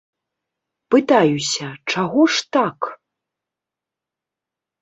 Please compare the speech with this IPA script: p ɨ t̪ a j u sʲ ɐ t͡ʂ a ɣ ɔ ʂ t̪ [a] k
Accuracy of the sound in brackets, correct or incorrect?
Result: correct